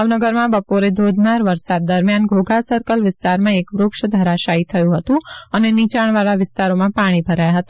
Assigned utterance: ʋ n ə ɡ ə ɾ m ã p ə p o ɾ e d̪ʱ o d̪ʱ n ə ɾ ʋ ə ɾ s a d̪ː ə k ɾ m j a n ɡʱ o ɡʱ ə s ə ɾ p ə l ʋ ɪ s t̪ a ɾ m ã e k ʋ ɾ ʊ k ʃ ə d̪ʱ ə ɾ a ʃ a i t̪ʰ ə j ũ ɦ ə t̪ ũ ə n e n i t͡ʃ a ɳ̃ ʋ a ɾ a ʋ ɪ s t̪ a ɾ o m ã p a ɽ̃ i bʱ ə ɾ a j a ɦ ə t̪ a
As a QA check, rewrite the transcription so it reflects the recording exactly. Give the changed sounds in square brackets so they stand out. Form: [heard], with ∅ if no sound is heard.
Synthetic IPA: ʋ n ə ɡ ə ɾ m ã [b] ə p o ɾ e d̪ʱ o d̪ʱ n [a] ɾ ʋ ə ɾ s a d̪ː ə [∅] ɾ m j a n ɡʱ o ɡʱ [a] s ə ɾ [k] ə l ʋ ɪ s t̪ a ɾ m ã e k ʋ ɾ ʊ k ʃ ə d̪ʱ ə ɾ a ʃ a i t̪ʰ ə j ũ ɦ ə t̪ ũ ə n e n i t͡ʃ a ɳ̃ ʋ a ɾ a ʋ ɪ s t̪ a ɾ o m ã p a ɽ̃ i bʱ ə ɾ a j a ɦ ə t̪ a